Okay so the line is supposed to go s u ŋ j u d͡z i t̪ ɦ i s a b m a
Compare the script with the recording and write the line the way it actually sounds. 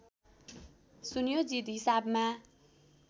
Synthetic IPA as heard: s u n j o d͡z i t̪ ɦ i s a b m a

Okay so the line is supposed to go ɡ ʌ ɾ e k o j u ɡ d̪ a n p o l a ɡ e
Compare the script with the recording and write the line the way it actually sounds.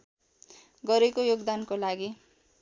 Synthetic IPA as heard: ɡ ʌ ɾ e k o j o ɡ d̪ a n k o l a ɡ i

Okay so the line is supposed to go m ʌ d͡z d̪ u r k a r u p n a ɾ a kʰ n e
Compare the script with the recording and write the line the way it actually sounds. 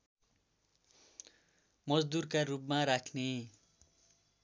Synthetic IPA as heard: m ʌ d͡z d̪ u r k a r u p m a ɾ a kʰ n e

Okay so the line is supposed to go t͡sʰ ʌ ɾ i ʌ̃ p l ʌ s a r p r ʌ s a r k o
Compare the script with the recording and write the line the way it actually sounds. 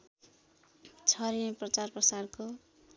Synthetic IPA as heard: t͡sʰ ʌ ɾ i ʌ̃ p r ʌ t͡s a r p r ʌ s a r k o

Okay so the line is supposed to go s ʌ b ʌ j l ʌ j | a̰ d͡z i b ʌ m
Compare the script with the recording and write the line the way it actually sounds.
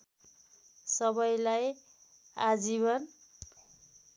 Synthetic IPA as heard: s ʌ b ʌ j l a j | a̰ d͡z i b ʌ n

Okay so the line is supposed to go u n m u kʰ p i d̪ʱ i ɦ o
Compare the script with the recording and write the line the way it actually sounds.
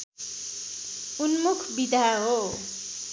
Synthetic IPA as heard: u n m u kʰ b i d̪ʱ a ɦ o

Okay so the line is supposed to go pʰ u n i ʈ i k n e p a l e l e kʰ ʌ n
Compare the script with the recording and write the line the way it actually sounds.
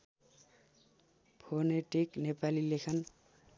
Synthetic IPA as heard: pʰ o n e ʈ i k n e p a l i l e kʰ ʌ n

